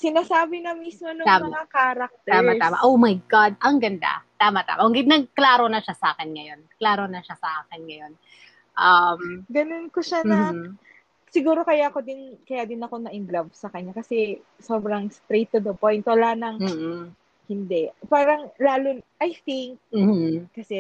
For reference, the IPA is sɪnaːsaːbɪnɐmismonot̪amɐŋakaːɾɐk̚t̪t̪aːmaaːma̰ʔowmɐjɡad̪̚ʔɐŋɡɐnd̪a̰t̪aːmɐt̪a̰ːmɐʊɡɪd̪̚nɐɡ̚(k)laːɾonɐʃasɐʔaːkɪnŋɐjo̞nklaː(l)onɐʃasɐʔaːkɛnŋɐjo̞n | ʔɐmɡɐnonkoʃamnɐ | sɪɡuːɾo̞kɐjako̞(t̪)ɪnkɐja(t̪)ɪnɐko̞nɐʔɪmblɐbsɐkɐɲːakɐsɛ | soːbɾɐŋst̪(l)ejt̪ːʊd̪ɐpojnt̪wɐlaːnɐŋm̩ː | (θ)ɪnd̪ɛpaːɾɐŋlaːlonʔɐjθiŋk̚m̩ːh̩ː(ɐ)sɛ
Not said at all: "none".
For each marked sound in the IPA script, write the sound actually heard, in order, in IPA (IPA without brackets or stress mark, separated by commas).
k, ɾ, d̪, d̪, ɾ, h, ɐ